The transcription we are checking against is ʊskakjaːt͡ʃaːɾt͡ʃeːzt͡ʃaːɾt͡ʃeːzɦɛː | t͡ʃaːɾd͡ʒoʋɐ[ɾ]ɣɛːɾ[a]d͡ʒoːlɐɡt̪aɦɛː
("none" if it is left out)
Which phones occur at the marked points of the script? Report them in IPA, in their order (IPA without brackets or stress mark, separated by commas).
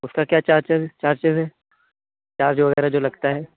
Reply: none, a